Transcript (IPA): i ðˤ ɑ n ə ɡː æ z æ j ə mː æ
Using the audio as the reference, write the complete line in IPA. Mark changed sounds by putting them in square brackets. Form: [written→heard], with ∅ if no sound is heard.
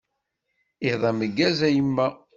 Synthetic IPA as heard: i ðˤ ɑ [n→m] ə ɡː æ z æ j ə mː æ

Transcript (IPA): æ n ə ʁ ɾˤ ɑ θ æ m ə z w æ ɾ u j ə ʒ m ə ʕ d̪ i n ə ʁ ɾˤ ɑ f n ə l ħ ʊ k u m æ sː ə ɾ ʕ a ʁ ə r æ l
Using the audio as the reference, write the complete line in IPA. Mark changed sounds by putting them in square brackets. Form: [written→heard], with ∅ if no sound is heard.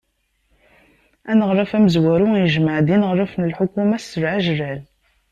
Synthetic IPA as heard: æ n ə ʁ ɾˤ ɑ [θ→f] æ m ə z w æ ɾ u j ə ʒ m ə ʕ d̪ i n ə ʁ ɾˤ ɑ f n ə l ħ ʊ k u m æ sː ə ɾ ʕ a [ʁ→ʒ] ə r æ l

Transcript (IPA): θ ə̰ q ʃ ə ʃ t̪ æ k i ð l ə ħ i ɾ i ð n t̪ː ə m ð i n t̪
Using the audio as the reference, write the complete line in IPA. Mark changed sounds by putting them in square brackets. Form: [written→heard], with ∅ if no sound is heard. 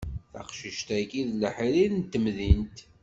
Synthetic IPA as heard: θ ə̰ q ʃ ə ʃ t̪ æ k i ð l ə ħ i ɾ i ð n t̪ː ə m ð i n t̪

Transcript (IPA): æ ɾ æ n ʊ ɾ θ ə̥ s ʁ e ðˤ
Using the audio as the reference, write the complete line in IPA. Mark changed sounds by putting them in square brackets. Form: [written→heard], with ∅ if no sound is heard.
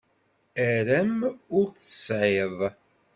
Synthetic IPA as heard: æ ɾ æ [n→m] ʊ ɾ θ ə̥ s [ʁ→ʕ] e ðˤ

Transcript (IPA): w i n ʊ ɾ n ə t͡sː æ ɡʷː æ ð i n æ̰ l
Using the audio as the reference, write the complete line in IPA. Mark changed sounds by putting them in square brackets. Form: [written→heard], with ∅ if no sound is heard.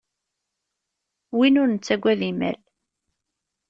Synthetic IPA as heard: w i n ʊ ɾ n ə t͡sː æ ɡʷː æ ð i [n→m] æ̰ l

